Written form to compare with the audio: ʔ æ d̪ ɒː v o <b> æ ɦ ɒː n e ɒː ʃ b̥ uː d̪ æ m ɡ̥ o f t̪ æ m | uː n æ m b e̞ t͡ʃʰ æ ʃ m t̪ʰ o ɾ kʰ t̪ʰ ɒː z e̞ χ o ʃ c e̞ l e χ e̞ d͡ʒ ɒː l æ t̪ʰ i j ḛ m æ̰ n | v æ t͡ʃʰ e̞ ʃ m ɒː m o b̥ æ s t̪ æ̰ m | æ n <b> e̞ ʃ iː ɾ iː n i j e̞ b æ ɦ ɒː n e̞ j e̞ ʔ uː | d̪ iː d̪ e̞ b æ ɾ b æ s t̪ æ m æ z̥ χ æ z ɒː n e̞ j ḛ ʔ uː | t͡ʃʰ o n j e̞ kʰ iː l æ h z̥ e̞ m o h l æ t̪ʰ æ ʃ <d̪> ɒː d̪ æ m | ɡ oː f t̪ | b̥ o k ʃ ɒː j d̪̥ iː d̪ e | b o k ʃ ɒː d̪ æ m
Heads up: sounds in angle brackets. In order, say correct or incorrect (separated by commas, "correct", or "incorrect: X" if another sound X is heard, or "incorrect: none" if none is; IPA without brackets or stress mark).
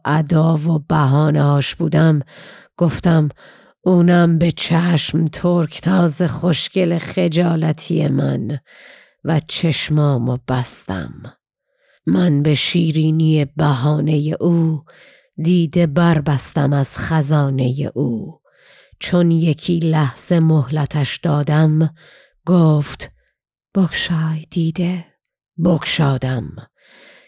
correct, correct, correct